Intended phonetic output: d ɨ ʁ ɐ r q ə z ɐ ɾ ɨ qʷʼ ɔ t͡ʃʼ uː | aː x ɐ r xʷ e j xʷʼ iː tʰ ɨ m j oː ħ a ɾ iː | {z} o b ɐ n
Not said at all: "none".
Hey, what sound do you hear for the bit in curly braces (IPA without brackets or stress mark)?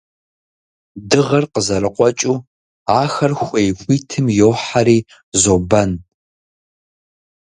z